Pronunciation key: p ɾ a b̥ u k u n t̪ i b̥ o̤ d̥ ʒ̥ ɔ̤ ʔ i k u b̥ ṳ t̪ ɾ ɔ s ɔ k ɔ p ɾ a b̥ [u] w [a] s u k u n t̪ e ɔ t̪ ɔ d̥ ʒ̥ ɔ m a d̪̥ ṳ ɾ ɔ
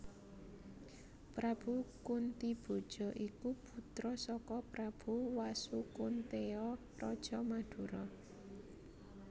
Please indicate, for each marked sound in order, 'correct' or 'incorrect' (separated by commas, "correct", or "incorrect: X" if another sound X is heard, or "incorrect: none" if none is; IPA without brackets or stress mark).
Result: correct, correct